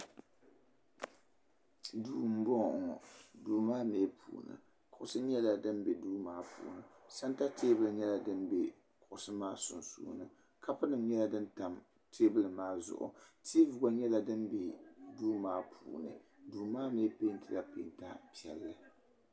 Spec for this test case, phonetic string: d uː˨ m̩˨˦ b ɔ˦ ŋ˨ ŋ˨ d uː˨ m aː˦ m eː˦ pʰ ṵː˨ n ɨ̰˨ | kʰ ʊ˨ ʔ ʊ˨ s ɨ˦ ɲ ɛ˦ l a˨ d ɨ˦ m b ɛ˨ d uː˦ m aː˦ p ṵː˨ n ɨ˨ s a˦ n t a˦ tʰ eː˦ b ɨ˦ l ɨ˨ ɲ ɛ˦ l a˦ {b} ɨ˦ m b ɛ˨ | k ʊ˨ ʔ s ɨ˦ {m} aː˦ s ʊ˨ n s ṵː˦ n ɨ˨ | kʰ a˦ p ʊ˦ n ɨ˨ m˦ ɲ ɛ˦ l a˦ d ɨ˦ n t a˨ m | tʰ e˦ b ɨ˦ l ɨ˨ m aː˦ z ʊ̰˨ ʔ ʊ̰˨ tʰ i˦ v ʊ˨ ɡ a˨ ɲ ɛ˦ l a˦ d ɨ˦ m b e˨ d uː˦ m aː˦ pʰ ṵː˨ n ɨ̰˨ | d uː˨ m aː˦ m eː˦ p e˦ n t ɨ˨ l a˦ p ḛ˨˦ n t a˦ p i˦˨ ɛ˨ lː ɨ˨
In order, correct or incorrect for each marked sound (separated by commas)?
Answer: incorrect, correct